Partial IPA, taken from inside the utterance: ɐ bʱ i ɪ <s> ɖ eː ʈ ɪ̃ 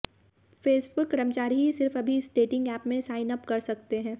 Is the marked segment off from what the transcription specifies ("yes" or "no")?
no